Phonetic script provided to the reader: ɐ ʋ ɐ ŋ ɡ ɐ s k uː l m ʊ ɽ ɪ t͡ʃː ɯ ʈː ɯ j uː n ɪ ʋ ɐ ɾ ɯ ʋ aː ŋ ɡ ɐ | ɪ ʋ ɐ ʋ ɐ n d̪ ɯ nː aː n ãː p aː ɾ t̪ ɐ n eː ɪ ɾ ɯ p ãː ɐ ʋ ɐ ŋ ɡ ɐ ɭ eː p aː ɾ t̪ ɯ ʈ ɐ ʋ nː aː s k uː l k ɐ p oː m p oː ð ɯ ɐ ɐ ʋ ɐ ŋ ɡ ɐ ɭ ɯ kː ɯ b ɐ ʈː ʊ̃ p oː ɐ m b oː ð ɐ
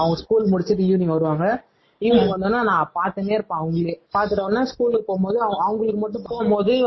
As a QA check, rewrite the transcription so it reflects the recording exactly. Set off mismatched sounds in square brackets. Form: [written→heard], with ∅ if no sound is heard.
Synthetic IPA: ɐ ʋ ɐ ŋ ɡ ɐ s k uː l m ʊ ɽ ɪ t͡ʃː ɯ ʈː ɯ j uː n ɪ ʋ ɐ ɾ ɯ ʋ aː ŋ ɡ ɐ | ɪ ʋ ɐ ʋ ɐ n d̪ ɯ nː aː n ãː p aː ɾ t̪ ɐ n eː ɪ ɾ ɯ p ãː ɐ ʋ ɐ ŋ ɡ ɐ ɭ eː p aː ɾ t̪ ɯ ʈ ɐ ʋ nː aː s k uː l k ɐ p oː m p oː ð ɯ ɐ ɐ ʋ ɐ ŋ ɡ ɐ ɭ ɯ kː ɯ [b→m] ɐ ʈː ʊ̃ p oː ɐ m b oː ð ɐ